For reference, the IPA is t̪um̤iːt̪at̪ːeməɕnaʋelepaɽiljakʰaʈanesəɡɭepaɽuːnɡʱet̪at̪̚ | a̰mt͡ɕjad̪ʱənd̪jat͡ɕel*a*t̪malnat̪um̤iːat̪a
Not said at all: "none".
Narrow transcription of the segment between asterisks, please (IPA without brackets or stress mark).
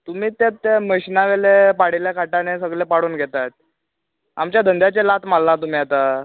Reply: a